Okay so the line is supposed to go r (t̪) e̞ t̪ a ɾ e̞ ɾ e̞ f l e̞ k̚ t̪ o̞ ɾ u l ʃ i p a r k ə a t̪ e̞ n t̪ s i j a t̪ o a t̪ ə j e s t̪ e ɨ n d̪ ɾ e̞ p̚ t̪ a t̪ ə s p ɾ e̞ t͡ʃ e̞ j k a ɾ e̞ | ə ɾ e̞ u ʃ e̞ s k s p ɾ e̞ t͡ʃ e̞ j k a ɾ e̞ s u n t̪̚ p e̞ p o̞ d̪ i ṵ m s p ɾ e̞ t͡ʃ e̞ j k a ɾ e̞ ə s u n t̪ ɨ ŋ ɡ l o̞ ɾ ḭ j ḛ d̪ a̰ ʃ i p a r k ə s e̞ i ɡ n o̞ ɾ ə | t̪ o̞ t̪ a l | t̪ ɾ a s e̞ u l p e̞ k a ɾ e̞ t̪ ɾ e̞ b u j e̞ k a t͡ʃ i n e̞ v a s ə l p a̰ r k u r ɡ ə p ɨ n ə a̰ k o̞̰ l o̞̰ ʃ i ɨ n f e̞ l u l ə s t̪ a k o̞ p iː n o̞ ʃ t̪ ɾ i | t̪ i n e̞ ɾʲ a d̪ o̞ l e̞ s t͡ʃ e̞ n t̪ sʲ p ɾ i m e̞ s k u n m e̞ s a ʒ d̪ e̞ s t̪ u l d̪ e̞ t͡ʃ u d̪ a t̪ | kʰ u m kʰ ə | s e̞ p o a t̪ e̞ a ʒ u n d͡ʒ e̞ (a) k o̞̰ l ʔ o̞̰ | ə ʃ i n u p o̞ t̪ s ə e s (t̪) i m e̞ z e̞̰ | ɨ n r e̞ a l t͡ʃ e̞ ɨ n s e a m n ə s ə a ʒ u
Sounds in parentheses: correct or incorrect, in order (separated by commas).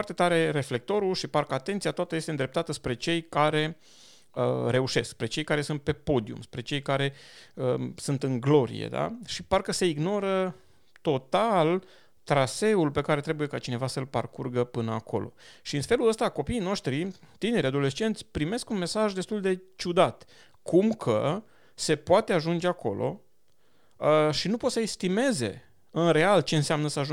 correct, correct, correct